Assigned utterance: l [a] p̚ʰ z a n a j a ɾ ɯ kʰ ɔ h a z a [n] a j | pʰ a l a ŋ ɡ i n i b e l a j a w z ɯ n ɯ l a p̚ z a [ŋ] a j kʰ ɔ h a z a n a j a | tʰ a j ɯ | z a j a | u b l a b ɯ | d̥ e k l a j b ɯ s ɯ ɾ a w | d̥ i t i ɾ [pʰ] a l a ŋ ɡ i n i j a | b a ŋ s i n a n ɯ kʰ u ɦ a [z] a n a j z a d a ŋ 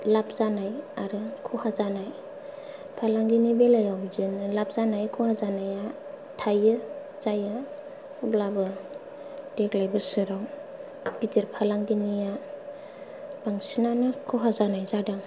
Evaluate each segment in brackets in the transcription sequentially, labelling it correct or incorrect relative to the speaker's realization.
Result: correct, correct, incorrect: n, correct, correct

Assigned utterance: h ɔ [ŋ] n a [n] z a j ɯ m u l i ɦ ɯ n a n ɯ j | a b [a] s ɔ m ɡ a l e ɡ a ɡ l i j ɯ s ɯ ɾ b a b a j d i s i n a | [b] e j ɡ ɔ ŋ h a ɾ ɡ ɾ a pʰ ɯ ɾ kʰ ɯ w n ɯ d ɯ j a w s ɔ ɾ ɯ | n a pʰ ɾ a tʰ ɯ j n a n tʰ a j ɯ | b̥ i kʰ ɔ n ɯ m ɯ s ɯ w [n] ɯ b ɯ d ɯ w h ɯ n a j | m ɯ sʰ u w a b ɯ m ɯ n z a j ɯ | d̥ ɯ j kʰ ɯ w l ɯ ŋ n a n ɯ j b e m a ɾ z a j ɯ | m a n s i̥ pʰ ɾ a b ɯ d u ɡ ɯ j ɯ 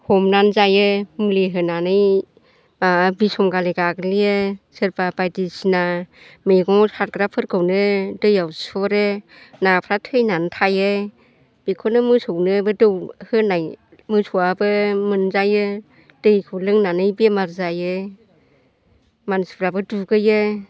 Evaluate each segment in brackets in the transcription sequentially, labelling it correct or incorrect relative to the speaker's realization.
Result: incorrect: m, correct, incorrect: i, incorrect: m, correct

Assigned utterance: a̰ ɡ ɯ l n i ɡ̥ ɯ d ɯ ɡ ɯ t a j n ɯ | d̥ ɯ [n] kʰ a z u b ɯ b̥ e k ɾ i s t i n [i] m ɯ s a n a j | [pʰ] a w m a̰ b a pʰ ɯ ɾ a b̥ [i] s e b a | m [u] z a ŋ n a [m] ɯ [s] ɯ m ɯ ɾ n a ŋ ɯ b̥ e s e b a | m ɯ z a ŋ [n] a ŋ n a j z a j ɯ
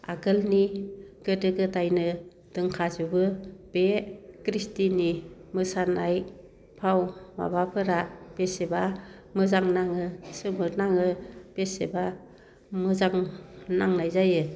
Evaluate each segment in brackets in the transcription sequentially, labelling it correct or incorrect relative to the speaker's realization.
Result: incorrect: ŋ, correct, correct, incorrect: e, incorrect: ɯ, incorrect: ŋ, correct, correct

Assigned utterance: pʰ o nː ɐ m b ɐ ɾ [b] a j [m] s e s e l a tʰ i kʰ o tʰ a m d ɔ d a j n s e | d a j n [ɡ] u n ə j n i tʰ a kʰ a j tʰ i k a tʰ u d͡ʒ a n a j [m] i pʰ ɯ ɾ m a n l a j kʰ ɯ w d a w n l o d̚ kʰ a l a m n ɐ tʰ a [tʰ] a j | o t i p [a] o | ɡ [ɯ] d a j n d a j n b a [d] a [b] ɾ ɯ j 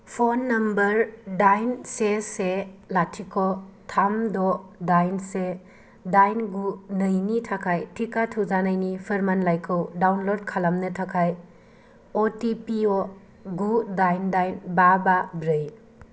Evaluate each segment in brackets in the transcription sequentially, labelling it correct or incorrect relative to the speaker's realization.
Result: incorrect: d, incorrect: n, correct, incorrect: n, incorrect: kʰ, incorrect: i, incorrect: u, incorrect: b, correct

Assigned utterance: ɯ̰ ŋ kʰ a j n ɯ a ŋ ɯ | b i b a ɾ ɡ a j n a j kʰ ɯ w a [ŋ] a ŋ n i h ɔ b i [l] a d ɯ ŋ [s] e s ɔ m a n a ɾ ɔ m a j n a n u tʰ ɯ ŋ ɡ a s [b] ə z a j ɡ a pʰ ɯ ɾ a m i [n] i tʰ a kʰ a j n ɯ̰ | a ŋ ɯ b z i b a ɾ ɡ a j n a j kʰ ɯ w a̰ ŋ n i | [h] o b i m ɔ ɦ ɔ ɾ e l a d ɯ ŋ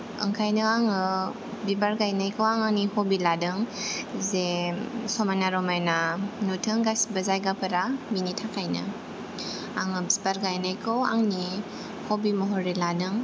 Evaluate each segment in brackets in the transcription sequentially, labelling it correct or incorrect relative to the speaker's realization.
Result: correct, correct, incorrect: z, correct, correct, correct

